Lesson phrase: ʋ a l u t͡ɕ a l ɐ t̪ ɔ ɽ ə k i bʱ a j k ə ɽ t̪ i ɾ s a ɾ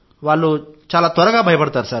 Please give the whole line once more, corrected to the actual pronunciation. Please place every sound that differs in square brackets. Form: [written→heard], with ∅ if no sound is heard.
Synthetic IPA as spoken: ʋ a l u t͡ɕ a l [ɐ→a] t̪ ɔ [ɽ→ɾ] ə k [i→a] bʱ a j [k→p] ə ɽ t̪ [i→a] ɾ s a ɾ